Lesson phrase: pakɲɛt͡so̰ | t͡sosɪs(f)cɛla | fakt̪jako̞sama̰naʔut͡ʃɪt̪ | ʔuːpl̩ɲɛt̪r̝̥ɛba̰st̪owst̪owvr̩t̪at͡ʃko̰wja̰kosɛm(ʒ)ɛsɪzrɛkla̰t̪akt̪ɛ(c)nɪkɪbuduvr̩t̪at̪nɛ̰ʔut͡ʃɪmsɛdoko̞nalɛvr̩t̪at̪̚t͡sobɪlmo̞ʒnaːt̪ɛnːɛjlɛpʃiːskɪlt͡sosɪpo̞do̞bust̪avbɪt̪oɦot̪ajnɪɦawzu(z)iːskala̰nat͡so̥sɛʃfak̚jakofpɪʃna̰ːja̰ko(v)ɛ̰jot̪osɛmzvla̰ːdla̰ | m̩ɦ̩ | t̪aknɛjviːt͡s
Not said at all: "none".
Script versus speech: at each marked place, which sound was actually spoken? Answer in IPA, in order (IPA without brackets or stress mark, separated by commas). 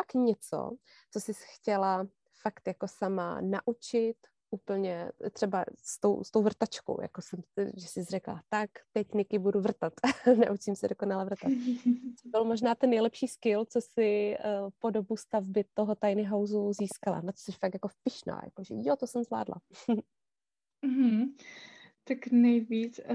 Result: x, ʒ, c, z, ʒ